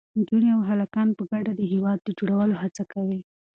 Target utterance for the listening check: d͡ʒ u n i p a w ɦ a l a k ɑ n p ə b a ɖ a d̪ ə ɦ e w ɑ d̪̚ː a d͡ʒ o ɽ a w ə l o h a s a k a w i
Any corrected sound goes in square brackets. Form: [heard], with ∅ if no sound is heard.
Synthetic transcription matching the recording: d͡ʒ u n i [∅] a w ɦ a l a k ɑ n p ə [ɡ] a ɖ a d̪ ə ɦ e w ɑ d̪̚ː [ə] d͡ʒ o ɽ a w ə l o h a [t͡s] a k a w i